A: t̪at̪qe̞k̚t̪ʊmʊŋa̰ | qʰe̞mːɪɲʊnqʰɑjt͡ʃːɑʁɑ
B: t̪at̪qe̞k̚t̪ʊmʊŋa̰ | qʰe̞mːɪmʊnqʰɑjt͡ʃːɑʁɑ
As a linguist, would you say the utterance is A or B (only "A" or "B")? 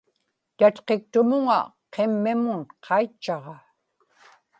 B